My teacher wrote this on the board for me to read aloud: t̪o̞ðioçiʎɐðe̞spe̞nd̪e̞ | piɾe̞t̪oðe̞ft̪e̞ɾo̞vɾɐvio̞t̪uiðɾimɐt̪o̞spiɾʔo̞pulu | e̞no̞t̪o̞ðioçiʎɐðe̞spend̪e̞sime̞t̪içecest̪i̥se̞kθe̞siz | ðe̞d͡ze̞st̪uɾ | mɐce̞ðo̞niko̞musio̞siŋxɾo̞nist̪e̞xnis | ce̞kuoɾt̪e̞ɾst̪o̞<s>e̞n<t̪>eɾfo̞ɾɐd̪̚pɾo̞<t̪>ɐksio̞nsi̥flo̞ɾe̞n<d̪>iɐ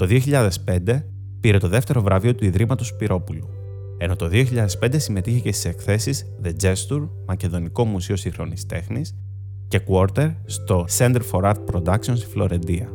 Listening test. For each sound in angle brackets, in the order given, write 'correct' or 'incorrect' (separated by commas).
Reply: correct, incorrect, incorrect, correct